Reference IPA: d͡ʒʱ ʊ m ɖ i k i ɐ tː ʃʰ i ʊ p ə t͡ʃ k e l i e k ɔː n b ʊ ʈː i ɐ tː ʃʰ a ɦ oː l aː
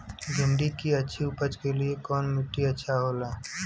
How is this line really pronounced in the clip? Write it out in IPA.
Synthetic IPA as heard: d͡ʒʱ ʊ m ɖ i k i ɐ tː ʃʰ i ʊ p ə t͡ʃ k e l i e k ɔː n m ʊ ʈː i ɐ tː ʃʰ a ɦ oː l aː